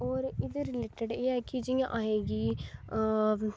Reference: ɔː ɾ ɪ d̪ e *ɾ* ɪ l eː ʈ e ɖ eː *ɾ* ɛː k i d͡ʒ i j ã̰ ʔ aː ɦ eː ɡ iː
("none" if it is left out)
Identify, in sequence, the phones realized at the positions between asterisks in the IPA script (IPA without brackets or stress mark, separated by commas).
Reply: ɾ, none